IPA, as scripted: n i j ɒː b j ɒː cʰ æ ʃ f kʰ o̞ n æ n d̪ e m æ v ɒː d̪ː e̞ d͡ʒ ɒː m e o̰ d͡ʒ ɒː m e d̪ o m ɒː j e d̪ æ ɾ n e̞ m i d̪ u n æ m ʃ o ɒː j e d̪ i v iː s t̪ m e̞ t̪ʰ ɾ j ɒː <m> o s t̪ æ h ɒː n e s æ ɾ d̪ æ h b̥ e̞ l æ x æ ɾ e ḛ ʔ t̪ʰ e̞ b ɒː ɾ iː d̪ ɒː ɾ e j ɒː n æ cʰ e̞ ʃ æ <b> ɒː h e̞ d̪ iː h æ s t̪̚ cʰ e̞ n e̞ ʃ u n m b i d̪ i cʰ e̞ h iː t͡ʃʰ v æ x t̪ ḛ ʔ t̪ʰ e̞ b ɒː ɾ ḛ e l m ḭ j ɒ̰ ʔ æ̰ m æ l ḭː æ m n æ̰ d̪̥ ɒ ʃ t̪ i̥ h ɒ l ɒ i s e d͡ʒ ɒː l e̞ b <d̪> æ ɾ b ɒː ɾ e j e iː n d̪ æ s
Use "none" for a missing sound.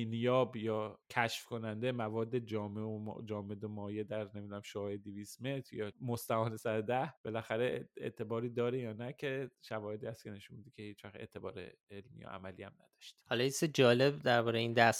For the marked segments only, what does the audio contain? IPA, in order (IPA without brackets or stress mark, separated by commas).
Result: m, v, d̪